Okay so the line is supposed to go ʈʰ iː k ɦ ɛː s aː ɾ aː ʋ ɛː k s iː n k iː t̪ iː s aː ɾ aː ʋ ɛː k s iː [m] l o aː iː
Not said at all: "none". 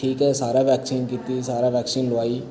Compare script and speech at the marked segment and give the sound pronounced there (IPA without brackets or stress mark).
n